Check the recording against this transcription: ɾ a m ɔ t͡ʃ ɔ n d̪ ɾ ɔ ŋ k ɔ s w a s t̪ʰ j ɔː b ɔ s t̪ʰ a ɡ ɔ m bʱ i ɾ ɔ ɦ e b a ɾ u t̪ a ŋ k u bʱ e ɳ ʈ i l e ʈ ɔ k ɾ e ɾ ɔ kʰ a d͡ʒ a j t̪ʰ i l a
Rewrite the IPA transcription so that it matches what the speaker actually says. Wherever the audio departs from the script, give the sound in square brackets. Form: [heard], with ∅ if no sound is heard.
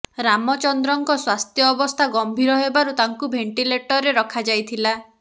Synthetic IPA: ɾ a m ɔ t͡ʃ ɔ n d̪ ɾ ɔ ŋ k ɔ s w a s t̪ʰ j ɔː b ɔ s t̪ʰ a ɡ ɔ m bʱ i ɾ ɔ ɦ e b a ɾ u t̪ a ŋ k u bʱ e ɳ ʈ i l e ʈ ɔ [∅] ɾ e ɾ ɔ kʰ a d͡ʒ a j t̪ʰ i l a